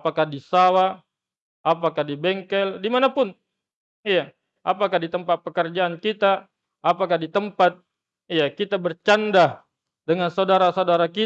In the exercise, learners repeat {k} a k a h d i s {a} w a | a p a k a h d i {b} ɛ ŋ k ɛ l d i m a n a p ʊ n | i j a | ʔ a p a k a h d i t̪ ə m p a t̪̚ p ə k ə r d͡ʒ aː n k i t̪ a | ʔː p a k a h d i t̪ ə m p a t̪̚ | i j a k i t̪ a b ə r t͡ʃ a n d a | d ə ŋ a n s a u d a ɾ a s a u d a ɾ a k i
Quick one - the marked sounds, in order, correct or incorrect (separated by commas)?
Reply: incorrect, correct, correct